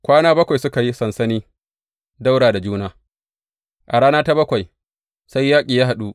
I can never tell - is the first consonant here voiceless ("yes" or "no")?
yes